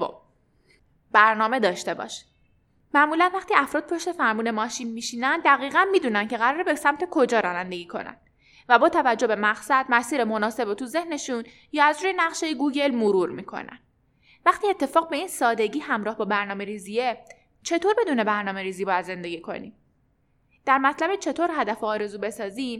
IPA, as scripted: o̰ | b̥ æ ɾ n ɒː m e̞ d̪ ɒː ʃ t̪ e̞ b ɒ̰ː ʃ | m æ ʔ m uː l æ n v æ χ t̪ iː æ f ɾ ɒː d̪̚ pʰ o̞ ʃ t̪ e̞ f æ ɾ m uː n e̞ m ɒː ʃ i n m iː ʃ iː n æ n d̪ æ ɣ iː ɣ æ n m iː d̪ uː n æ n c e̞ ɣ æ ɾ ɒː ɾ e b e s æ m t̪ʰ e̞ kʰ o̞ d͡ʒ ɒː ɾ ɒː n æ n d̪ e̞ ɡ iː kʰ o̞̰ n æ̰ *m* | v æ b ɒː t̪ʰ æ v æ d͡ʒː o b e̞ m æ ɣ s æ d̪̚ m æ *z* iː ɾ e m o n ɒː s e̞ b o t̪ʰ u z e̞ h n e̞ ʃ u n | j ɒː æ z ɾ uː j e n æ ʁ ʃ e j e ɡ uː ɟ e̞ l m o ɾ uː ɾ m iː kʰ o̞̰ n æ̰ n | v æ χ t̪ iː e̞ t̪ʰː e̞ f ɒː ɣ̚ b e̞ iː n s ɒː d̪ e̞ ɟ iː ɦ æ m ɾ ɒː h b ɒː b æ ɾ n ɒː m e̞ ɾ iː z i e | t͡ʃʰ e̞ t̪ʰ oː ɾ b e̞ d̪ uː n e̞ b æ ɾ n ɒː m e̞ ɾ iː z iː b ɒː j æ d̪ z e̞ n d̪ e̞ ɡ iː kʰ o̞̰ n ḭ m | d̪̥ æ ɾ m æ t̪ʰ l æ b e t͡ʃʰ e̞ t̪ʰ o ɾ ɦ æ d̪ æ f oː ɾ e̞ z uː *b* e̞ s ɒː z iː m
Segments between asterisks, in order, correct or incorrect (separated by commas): incorrect, incorrect, correct